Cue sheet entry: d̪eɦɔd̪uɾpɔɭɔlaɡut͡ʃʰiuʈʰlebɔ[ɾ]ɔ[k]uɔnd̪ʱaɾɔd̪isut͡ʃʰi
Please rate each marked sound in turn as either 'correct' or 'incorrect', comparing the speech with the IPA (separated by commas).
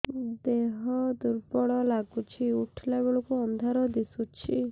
incorrect, correct